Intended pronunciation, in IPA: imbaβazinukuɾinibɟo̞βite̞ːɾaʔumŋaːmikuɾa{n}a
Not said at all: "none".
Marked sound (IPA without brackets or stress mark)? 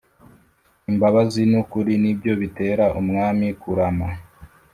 m